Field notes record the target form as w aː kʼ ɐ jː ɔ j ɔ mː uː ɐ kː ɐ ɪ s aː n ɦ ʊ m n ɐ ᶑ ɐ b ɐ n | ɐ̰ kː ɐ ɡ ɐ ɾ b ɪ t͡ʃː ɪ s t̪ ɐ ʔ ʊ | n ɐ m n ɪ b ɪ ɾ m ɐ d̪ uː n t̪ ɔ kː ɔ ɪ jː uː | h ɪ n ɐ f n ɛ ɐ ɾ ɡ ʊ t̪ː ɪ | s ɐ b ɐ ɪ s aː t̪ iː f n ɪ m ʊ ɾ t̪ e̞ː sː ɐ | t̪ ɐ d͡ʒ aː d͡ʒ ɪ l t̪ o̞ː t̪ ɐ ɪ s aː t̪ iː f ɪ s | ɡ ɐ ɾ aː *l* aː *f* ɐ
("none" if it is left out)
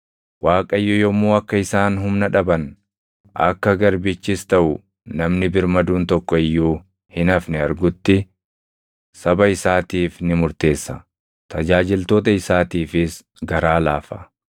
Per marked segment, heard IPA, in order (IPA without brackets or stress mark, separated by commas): l, f